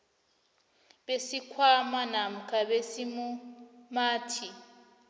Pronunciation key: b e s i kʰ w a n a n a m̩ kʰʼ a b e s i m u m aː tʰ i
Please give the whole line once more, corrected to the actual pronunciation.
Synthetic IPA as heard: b e s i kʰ w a m a n a m̩ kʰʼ a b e s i m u m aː tʰ i